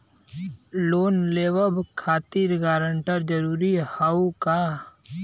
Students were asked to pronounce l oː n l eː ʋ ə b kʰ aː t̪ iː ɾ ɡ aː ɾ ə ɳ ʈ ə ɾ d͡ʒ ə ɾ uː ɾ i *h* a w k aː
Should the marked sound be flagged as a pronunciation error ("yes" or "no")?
no